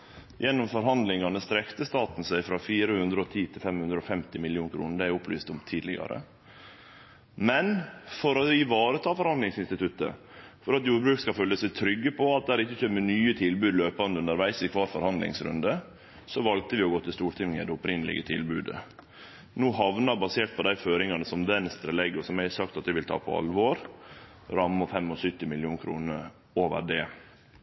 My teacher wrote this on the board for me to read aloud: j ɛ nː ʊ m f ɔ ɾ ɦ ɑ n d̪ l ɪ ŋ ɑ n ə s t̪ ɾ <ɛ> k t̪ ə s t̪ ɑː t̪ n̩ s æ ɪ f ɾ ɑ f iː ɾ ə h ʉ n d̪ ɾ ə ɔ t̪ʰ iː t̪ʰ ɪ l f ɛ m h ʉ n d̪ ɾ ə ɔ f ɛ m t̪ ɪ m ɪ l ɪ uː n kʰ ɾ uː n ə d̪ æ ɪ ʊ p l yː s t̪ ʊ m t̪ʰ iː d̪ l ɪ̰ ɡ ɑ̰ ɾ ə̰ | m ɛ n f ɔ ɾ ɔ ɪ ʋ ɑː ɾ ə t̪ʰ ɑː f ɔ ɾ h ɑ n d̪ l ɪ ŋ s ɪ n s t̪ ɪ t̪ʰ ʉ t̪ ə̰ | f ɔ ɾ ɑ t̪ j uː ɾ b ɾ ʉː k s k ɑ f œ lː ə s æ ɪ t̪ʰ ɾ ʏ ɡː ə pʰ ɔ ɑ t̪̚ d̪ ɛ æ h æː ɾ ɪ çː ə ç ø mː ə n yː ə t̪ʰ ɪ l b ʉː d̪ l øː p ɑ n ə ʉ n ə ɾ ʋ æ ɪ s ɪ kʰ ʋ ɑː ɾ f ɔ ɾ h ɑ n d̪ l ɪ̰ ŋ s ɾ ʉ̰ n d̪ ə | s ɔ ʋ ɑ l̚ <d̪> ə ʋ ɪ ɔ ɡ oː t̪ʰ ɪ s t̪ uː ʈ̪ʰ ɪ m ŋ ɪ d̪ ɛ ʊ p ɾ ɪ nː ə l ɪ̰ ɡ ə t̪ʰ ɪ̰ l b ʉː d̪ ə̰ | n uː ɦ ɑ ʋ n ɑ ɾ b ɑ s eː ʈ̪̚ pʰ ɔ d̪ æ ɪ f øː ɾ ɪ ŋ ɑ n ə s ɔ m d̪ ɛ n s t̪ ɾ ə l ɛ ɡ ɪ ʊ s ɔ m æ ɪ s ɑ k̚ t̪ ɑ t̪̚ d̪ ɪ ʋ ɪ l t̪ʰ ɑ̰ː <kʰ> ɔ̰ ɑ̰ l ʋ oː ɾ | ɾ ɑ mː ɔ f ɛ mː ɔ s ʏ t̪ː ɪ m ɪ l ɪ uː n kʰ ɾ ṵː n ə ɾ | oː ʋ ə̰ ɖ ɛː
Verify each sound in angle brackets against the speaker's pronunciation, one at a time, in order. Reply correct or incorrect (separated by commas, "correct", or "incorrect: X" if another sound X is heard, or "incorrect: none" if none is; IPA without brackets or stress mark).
correct, incorrect: t̪, incorrect: pʰ